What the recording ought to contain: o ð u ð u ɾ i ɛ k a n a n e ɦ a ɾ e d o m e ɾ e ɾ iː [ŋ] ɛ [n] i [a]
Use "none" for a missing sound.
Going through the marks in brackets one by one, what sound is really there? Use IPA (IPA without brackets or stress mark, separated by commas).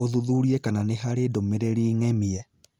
ŋ, m, ɛ